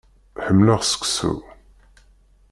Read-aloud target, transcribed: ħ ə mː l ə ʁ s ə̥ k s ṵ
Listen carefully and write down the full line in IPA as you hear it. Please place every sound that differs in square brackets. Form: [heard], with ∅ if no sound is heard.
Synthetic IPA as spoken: ħ ə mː l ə ʁ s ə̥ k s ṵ